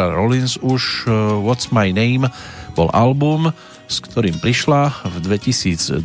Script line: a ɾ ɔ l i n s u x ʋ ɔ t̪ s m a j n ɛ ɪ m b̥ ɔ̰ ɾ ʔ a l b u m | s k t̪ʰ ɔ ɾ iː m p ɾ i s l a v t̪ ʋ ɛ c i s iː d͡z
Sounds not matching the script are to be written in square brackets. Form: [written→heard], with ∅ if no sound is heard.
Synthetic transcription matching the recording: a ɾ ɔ l i n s u [x→ʃ] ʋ ɔ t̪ s m a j n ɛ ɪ m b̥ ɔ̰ [ɾ→l] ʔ a l b u m | s k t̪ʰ ɔ ɾ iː m p ɾ i [s→ʃ] l a v [t̪→d̪] ʋ ɛ c i s iː d͡z